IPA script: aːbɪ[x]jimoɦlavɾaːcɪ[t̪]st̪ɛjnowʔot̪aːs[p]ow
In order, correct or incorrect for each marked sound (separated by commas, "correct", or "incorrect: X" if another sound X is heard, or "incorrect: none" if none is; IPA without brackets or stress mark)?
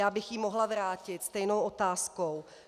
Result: correct, correct, incorrect: k